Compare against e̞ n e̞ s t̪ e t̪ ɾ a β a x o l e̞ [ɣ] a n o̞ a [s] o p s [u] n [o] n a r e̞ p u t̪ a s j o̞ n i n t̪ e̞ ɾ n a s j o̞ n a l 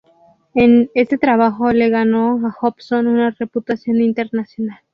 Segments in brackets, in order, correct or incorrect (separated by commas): correct, incorrect, incorrect, incorrect